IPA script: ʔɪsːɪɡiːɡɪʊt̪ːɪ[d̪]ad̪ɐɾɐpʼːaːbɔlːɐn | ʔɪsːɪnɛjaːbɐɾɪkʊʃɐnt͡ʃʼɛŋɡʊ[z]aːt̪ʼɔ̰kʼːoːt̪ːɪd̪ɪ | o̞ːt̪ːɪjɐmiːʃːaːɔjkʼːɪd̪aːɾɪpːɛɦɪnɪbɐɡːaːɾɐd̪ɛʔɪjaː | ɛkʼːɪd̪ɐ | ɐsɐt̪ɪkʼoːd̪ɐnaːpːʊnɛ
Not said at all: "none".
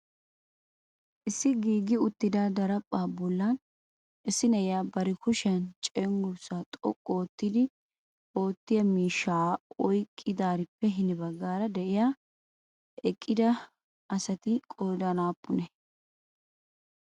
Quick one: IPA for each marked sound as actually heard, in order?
d̪, s

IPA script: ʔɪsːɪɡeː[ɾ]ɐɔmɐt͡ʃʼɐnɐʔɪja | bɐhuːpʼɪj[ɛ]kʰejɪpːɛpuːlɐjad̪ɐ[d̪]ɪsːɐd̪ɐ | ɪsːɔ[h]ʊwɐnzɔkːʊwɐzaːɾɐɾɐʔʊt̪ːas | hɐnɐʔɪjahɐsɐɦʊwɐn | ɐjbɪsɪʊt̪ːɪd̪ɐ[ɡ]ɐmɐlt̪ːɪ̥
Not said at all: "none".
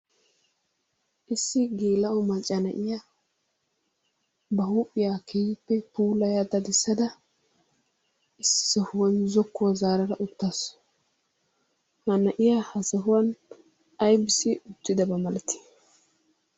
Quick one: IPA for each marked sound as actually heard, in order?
l, a, d̪, h, b

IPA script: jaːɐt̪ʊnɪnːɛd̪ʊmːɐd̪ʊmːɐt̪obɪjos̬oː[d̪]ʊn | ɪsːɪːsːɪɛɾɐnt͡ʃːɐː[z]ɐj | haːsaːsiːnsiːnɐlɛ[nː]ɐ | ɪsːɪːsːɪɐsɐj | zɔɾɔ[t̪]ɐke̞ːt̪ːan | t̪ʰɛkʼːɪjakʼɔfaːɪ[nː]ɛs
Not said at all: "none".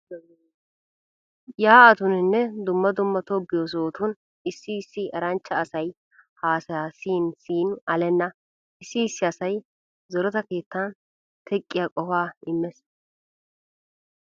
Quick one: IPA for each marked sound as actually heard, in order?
t̪, s, nː, t̪, mː

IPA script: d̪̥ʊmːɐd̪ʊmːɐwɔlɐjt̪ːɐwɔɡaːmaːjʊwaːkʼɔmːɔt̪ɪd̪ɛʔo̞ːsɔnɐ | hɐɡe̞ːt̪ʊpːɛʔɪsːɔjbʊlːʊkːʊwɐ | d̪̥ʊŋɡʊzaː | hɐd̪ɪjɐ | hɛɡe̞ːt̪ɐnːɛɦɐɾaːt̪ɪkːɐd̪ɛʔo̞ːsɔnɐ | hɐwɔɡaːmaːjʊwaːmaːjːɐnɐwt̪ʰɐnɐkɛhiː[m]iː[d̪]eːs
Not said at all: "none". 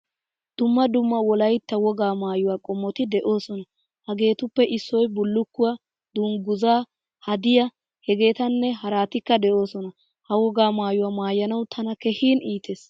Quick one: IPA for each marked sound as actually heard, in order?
n, t̪

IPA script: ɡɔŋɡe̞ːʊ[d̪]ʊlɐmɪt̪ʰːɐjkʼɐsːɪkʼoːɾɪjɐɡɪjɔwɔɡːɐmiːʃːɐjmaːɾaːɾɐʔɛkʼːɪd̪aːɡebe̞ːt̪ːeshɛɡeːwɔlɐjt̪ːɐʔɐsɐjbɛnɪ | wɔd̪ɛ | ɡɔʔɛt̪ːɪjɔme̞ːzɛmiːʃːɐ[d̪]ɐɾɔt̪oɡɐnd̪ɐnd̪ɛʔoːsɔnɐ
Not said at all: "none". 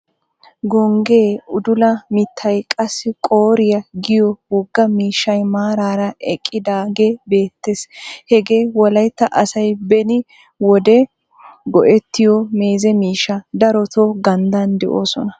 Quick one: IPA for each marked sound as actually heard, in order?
d̪, d̪

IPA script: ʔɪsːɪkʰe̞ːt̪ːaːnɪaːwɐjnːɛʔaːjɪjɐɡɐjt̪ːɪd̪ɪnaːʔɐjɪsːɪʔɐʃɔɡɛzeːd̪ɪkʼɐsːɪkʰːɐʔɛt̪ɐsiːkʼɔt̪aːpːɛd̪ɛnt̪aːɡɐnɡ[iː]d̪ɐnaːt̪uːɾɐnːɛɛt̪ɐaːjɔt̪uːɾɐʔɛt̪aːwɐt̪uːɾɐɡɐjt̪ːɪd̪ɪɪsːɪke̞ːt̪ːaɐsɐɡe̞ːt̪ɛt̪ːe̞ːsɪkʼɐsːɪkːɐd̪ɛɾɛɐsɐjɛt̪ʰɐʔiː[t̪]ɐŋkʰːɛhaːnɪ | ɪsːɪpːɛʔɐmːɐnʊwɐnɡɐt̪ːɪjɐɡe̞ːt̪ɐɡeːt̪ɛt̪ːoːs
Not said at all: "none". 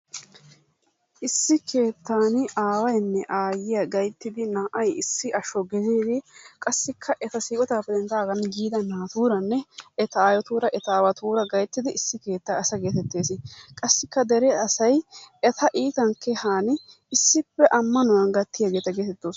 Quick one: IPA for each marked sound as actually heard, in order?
iː, t̪

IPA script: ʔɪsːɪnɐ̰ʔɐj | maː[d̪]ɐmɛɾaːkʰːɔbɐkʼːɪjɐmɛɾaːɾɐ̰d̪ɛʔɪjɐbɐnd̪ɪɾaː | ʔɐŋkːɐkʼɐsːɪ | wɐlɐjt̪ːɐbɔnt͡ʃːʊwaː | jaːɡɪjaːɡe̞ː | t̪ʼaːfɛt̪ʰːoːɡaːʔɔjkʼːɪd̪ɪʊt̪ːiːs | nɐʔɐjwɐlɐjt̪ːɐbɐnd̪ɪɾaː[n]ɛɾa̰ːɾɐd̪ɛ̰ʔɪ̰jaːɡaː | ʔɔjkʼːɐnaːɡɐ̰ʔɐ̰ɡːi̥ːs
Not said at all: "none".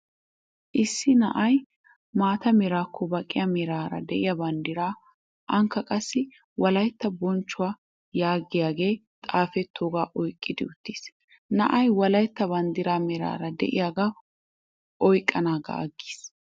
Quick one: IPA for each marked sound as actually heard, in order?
t̪, m

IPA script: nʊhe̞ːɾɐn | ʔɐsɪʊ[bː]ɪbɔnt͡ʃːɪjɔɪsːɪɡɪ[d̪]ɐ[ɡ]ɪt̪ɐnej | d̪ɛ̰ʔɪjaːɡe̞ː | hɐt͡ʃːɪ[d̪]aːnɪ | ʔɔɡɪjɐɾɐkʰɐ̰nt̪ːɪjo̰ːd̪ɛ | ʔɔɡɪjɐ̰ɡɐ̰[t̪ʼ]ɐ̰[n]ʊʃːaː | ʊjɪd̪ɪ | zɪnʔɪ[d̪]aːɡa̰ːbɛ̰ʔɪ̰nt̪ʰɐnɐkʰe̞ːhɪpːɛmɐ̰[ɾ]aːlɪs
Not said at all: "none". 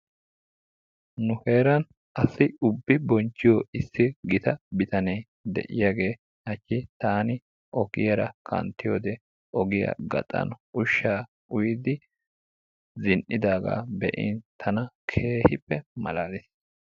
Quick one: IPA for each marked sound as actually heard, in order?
bː, t̪, b, t̪, t̪ʼ, n, d̪, l

